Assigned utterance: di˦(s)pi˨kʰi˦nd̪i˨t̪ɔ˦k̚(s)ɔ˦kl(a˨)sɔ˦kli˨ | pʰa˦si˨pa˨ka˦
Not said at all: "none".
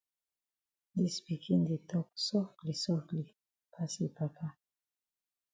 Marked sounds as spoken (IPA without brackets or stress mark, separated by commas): s, s, i˨